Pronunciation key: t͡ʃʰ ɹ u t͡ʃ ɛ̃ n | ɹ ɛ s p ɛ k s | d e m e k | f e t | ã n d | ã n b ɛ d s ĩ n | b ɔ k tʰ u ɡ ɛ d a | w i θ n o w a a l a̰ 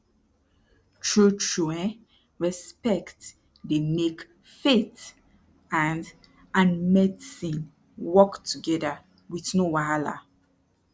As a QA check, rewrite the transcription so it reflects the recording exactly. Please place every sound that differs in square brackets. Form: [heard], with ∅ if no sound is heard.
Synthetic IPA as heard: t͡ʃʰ ɹ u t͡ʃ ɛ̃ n | ɹ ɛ s p ɛ k [t] | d e m e k | f e t | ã n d | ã n [m] ɛ d s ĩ n | [w] ɔ k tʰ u ɡ ɛ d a | w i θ n o w a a l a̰